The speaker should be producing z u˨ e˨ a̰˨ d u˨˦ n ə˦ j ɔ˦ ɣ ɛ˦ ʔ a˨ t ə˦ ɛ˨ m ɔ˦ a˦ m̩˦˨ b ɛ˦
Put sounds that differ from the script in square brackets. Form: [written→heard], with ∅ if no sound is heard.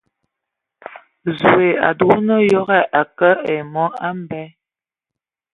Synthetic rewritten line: z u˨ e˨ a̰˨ d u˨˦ n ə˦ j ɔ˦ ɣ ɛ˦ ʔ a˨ [t→k] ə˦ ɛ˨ m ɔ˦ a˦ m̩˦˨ b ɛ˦